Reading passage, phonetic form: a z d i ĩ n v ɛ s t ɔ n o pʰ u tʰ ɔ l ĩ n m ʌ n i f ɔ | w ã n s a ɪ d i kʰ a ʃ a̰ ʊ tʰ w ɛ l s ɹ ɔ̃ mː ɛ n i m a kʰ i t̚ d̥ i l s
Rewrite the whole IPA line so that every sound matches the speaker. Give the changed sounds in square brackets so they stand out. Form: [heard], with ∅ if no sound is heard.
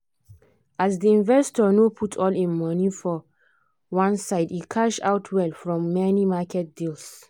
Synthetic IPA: a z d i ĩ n v ɛ s t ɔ n o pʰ u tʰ ɔ l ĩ n m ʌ n i f ɔ | w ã n s a ɪ d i kʰ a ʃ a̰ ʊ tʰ w ɛ l [f] ɹ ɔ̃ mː ɛ n i m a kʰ [ɛ] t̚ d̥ i l s